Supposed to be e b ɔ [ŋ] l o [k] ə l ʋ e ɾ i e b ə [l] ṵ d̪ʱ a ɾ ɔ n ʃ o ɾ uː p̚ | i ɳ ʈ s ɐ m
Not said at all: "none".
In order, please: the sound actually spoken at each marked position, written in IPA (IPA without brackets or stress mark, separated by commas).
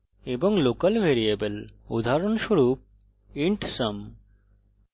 ŋ, k, l